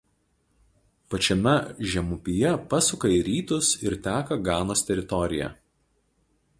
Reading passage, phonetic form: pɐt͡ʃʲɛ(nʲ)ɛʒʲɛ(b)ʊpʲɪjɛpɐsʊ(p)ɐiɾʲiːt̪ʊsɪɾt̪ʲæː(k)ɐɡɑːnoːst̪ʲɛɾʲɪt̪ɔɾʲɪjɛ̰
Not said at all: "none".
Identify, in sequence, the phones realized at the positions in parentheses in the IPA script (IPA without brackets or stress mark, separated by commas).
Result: mʲ, m, k, k